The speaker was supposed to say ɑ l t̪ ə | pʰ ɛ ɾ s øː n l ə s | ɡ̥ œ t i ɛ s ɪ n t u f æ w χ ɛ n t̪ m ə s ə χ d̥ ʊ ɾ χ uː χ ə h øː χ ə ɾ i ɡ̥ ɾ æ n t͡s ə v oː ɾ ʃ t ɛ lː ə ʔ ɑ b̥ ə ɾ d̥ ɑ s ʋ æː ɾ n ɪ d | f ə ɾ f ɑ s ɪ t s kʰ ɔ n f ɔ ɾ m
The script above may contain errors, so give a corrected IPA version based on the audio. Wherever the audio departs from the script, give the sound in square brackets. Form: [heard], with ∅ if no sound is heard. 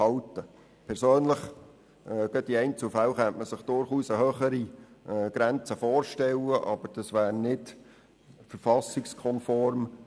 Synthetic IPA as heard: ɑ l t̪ ə | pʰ ɛ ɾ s øː n l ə [χ] | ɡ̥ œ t i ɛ [∅] ɪ n [t͡s] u f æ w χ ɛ n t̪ m ə s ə χ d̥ ʊ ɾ χ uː [s] ə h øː χ ə ɾ i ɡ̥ ɾ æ n t͡s ə [f] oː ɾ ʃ t ɛ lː ə ʔ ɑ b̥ ə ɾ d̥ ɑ s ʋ æː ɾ n ɪ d | f ə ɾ f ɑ s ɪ [k] s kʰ ɔ n f ɔ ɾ m